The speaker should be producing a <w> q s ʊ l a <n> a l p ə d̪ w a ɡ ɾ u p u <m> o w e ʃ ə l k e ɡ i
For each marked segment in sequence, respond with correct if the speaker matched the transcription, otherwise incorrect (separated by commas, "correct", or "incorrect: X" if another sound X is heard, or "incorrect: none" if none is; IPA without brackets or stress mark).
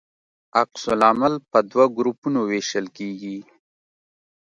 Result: incorrect: none, incorrect: m, incorrect: n